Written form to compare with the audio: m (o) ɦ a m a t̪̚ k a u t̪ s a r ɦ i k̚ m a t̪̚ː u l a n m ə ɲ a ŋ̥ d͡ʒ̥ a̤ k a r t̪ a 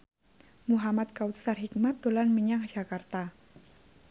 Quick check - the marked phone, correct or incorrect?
incorrect